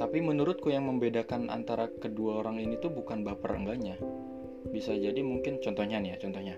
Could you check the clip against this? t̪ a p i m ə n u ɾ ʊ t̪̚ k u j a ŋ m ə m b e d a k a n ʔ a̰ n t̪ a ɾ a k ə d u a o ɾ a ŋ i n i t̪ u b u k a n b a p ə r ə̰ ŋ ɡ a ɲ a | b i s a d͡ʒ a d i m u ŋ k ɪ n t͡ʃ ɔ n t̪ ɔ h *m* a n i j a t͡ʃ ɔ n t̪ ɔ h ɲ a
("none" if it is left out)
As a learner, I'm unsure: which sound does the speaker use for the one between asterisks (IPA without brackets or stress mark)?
ɲ